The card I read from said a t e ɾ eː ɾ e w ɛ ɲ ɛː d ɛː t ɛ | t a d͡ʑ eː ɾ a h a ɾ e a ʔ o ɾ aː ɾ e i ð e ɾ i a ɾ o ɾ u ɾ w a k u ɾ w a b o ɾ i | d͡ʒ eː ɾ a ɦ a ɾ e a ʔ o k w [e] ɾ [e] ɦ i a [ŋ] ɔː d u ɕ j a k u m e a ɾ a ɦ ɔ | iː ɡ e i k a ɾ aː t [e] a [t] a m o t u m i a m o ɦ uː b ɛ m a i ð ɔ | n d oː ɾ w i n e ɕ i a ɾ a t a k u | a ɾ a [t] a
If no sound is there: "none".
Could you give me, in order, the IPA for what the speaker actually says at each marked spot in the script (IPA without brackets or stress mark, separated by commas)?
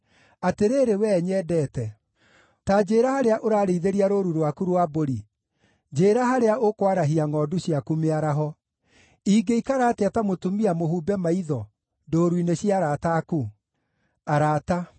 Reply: a, a, ŋ, e, t, t